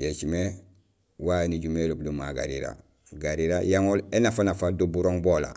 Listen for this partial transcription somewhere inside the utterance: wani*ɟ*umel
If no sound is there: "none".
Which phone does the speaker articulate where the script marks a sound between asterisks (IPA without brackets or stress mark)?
ɟ